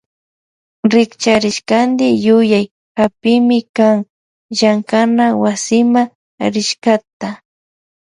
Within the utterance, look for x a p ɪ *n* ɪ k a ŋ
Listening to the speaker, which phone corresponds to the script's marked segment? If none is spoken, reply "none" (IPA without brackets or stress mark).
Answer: m